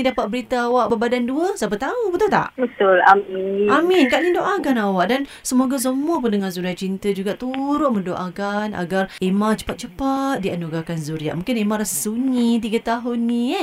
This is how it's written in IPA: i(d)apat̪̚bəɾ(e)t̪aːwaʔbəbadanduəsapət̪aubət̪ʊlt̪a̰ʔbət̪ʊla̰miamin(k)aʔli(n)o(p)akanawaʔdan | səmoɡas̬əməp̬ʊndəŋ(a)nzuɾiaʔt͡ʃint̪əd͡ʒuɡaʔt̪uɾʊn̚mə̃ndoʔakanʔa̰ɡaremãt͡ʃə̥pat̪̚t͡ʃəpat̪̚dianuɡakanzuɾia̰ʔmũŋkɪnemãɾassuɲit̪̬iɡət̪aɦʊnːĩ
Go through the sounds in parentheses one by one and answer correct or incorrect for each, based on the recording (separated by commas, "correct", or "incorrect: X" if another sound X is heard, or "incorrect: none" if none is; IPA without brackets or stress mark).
correct, incorrect: i, correct, incorrect: d, incorrect: ʔ, correct